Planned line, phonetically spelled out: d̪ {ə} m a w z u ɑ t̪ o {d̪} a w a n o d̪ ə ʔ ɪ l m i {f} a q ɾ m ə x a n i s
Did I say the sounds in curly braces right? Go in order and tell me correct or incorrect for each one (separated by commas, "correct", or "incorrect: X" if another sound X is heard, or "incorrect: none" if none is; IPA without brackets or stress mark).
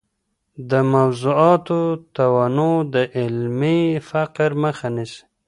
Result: correct, incorrect: t̪, correct